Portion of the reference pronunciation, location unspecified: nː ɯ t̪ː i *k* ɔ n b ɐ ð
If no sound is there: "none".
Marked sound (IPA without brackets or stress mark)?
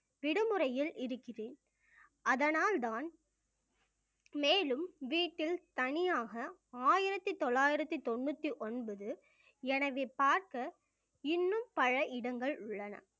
ʔ